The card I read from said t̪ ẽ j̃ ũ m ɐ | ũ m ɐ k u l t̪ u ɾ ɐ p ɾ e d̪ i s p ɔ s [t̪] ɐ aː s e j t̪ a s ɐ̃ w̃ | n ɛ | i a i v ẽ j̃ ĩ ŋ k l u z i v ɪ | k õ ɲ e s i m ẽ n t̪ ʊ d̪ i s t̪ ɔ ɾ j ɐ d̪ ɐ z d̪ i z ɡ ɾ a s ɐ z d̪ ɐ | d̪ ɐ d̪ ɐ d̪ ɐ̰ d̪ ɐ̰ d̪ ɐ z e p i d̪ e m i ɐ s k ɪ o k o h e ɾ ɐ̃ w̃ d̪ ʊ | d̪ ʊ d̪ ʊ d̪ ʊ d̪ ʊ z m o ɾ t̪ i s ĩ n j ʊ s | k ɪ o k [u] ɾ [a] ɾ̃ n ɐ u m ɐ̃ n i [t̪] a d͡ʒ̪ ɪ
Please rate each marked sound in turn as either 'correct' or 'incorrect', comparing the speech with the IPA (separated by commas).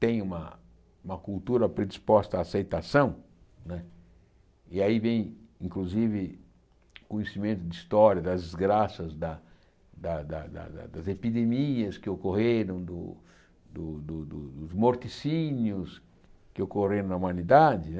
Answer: correct, incorrect, incorrect, incorrect